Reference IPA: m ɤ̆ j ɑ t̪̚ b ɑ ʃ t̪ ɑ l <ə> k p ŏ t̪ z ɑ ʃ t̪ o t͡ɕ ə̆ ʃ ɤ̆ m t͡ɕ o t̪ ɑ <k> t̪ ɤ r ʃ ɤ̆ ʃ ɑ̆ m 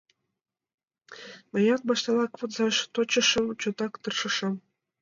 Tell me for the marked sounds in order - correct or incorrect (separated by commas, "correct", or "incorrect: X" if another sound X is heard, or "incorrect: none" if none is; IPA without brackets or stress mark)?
incorrect: ɑ, correct